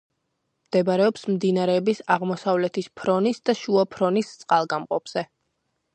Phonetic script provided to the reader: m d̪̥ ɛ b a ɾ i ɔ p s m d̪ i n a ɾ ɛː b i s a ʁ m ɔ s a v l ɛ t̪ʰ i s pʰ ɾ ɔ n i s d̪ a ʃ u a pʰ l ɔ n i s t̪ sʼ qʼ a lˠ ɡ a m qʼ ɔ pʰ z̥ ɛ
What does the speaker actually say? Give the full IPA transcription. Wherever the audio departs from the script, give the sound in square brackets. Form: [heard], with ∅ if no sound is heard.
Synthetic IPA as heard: m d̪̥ ɛ b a ɾ [ɛ] ɔ p s m d̪ i n a ɾ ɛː b i s a ʁ m ɔ s a v l ɛ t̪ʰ i s pʰ ɾ ɔ n i s d̪ a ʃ u a pʰ [ɾ] ɔ n i s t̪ sʼ qʼ a lˠ ɡ a m qʼ ɔ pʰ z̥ ɛ